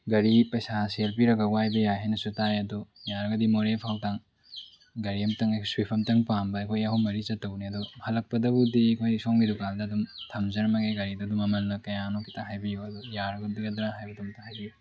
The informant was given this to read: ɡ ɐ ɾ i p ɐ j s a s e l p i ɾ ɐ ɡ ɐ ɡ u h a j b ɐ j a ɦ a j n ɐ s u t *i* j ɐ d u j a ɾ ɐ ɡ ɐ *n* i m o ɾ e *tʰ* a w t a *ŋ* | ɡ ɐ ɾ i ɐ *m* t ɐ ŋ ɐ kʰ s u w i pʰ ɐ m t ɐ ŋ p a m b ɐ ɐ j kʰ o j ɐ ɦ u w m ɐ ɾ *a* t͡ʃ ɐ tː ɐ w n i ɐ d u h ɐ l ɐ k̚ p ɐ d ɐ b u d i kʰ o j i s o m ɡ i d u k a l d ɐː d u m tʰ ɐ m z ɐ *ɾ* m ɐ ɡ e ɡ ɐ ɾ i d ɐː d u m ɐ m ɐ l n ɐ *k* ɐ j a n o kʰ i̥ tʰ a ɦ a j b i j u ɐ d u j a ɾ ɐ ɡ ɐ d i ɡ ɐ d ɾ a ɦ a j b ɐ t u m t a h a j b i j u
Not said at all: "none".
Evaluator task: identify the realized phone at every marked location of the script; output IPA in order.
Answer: a, d, pʰ, ŋ, m, i, ɾ, k

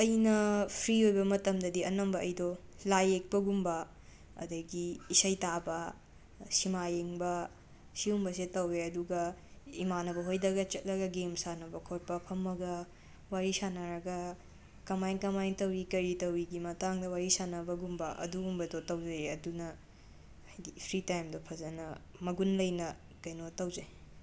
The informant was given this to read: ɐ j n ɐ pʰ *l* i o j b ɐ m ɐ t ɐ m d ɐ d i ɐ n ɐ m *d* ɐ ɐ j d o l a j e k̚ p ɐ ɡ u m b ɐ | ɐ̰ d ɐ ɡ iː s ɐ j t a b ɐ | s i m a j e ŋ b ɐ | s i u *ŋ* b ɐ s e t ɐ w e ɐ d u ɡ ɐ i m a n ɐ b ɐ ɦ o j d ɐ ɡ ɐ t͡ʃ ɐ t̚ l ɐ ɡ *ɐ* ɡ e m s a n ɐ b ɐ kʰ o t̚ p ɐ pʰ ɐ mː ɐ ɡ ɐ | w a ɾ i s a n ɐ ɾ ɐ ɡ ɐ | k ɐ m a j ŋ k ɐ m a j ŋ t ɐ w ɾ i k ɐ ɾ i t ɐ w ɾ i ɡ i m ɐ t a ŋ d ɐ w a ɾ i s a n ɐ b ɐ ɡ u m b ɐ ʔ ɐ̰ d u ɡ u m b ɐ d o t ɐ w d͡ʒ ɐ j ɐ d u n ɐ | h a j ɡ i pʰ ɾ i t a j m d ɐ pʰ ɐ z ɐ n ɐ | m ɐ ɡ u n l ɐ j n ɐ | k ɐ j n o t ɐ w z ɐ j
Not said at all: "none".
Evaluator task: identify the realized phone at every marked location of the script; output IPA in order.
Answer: ɾ, b, m, ɐ

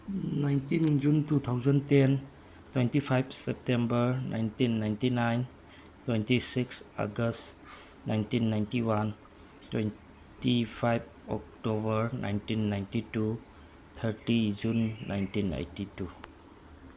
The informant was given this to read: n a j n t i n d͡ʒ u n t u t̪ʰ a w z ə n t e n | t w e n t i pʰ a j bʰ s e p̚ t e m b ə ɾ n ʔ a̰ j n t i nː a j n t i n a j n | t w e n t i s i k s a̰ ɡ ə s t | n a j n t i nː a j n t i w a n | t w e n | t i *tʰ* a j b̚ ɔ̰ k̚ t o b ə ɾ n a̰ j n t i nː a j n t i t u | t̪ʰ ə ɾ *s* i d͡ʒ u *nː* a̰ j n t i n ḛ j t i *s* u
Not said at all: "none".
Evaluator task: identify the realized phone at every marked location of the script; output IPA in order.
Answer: pʰ, t, nː, t

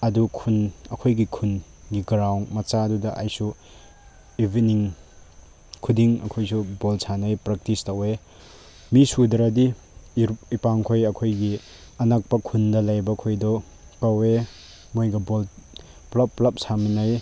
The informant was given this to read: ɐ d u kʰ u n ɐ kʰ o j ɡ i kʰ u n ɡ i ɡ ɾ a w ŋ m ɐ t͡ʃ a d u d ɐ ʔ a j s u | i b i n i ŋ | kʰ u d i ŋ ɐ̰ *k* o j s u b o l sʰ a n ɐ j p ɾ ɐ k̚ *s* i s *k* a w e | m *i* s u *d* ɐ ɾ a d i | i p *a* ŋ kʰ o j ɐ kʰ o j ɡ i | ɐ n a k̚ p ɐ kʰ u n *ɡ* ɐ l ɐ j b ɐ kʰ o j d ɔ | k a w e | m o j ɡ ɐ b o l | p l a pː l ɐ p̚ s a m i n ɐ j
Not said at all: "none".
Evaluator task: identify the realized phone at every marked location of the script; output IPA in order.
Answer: kʰ, t, t, i, d, a, d

